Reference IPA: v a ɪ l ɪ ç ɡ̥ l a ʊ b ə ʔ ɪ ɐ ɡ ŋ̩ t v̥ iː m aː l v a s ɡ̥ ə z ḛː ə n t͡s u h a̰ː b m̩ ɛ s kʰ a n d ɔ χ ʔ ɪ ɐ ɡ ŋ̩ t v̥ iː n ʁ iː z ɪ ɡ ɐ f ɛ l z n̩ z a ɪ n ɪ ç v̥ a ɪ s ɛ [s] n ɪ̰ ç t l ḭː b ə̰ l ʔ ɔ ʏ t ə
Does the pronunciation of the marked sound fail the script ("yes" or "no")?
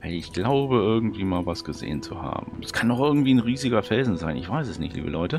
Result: no